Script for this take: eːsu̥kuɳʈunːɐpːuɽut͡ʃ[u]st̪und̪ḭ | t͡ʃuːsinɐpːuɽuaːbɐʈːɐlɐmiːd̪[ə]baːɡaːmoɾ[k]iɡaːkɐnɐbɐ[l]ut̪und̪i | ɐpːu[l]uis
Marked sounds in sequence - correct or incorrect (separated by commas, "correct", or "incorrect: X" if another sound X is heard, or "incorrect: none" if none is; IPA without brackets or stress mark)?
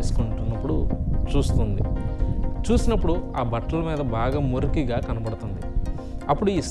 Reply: incorrect: uː, incorrect: ɐ, correct, incorrect: ɽ, incorrect: ɽ